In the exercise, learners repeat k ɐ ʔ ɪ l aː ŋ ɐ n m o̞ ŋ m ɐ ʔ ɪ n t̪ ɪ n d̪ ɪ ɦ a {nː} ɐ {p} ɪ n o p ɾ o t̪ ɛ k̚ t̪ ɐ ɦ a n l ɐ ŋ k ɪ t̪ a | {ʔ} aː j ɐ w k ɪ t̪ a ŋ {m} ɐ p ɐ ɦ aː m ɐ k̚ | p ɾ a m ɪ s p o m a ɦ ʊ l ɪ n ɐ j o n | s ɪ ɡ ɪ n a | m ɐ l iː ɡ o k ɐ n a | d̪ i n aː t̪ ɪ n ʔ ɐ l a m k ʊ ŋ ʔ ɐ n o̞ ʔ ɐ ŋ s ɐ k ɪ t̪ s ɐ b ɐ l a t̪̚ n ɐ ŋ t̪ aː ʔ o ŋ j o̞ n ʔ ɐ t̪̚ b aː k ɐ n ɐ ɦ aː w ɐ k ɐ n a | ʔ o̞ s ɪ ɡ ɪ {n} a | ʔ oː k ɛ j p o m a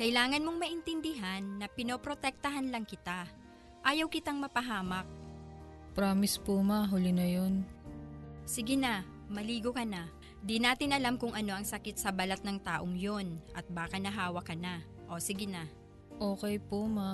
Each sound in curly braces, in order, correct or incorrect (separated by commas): correct, correct, correct, correct, correct